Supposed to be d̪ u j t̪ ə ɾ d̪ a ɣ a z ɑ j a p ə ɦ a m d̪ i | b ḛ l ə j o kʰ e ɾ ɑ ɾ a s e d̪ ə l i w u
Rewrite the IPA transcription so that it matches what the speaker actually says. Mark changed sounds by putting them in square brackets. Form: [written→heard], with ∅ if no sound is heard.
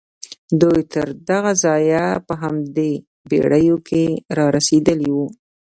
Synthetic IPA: d̪ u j t̪ ə ɾ d̪ a ɣ a z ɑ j a p ə ɦ a m d̪ [i→e] | b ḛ [l→ɽ] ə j o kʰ e ɾ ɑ ɾ a s e d̪ ə l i w u